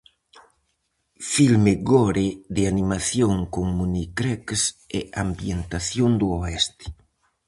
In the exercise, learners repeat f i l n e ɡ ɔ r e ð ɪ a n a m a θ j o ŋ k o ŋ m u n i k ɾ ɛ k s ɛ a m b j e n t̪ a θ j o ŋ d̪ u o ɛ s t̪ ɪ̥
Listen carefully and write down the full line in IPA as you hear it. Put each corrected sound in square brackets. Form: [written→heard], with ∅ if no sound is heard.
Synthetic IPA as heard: f i l [n→m] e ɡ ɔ [r→ɾ] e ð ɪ a n [a→i] m a θ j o ŋ k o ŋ m u n i k ɾ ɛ k s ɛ a m b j e n t̪ a θ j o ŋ d̪ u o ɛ s t̪ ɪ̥

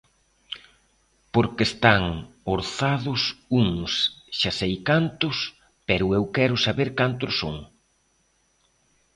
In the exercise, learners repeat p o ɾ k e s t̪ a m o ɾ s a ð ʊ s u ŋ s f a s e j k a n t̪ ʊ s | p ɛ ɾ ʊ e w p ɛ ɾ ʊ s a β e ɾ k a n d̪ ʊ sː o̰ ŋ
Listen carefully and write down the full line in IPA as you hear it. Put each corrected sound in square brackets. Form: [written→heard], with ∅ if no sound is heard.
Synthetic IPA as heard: p o ɾ k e s t̪ a [m→ŋ] o ɾ [s→θ] a ð ʊ s u ŋ s [f→ʃ] a s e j k a n t̪ ʊ s | p ɛ ɾ ʊ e w [p→k] ɛ ɾ ʊ s a β e ɾ k a n [d̪→t̪] ʊ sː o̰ ŋ

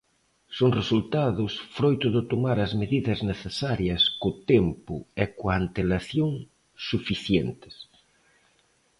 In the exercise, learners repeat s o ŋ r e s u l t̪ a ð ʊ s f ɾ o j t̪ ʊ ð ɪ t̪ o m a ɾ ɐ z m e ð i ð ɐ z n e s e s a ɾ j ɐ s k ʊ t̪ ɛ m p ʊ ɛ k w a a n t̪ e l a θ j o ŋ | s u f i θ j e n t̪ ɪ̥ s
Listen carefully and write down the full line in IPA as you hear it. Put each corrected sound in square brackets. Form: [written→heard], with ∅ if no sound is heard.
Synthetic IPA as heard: s o ŋ r e s u l t̪ a ð ʊ s f ɾ o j t̪ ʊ ð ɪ t̪ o m a ɾ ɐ z m e ð i ð ɐ z n e [s→θ] e s a ɾ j ɐ s k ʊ t̪ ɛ m p ʊ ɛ k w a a n t̪ e l a θ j o ŋ | s u f i θ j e n t̪ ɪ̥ s

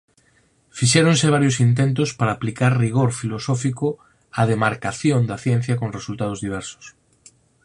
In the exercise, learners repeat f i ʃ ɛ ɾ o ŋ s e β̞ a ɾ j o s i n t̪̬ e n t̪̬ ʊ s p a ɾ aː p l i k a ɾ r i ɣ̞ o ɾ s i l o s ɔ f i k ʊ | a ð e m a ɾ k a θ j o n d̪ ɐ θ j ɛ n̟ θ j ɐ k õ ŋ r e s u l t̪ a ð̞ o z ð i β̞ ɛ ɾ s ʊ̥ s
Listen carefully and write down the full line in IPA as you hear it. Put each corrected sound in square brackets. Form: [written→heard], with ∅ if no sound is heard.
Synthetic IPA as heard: f i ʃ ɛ ɾ o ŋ s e β̞ a ɾ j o s i n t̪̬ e n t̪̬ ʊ s p a ɾ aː p l i k a ɾ r i ɣ̞ o ɾ [s→f] i l o s ɔ f i k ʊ | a ð e m a ɾ k a θ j o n d̪ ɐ θ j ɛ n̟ θ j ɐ k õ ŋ r e s u l t̪ a ð̞ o z ð i β̞ ɛ ɾ s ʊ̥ s

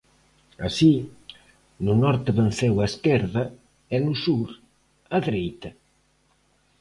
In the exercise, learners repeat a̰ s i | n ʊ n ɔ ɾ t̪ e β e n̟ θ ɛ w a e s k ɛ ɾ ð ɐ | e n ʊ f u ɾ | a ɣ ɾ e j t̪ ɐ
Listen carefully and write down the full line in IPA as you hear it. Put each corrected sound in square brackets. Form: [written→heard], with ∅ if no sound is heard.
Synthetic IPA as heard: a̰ s i | n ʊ n ɔ ɾ t̪ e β e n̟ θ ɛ w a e s k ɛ ɾ ð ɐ | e n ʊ [f→s] u ɾ | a [ɣ→ð] ɾ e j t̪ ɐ

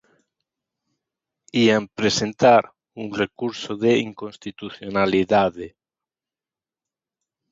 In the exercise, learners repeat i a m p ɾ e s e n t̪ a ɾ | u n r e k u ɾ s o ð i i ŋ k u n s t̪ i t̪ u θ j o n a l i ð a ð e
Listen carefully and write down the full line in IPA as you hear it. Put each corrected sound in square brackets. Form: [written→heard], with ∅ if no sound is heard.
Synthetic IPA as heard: i a m p ɾ e s e n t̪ a ɾ | u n r e k u ɾ s o ð [i→e] i ŋ k [u→o] n s t̪ i t̪ u θ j o n a l i ð a ð e

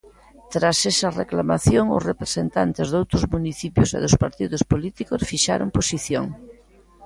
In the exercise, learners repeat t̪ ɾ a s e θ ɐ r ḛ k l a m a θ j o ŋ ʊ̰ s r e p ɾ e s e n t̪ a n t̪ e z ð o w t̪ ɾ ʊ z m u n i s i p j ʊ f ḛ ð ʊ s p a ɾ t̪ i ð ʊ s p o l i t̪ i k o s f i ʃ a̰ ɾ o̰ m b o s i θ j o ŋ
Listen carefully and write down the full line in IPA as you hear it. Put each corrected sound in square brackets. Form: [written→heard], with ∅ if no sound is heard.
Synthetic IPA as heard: t̪ ɾ a s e [θ→s] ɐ r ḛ k l a m a θ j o ŋ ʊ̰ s r e p ɾ e s e n t̪ a n t̪ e z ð o w t̪ ɾ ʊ z m u n i [s→θ] i p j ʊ [f→s] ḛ ð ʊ s p a ɾ t̪ i ð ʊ s p o l i t̪ i k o s f i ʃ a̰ ɾ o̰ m [b→p] o s i θ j o ŋ

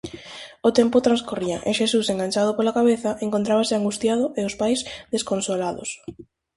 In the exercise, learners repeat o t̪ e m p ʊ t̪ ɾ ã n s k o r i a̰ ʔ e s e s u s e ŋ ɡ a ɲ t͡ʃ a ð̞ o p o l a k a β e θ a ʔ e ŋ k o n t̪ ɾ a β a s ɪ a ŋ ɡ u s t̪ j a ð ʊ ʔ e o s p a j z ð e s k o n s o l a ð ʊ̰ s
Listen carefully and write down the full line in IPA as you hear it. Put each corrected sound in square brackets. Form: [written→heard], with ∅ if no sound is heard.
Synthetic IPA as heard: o t̪ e m p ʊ t̪ ɾ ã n s k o r i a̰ ʔ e [s→ʃ] e s u s e ŋ ɡ a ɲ t͡ʃ a ð̞ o p o l a k a β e θ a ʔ e ŋ k o n t̪ ɾ a β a s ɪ a ŋ ɡ u s t̪ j a ð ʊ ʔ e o s p a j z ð e s k o n s o l a ð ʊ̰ s

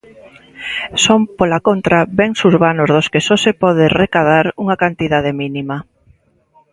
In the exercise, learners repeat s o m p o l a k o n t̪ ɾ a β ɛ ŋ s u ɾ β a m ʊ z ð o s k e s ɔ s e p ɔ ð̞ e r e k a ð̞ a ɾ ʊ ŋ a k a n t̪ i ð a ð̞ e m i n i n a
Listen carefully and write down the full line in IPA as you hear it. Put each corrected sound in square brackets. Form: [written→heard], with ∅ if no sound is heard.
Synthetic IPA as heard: s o m p o l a k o n t̪ ɾ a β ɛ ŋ s u ɾ β a [m→n] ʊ z ð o s k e s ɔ s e p ɔ ð̞ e r e k a ð̞ a ɾ [ʊ→u] ŋ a k a n t̪ i ð a ð̞ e m i n i [n→m] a

